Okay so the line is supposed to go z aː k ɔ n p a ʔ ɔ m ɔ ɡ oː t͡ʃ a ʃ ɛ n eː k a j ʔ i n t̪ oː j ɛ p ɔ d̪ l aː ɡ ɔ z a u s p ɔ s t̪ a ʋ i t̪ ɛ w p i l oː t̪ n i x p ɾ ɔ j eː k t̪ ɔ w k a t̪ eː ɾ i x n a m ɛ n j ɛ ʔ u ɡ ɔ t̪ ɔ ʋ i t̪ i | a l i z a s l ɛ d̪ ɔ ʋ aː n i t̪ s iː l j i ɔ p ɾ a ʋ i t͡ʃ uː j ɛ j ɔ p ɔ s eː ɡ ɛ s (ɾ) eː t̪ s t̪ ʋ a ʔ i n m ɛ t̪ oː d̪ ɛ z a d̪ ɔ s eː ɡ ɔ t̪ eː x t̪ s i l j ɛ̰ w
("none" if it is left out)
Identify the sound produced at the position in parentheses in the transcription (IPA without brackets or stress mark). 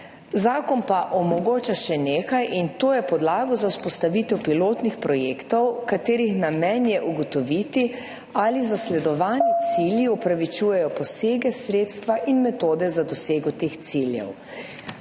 ɾ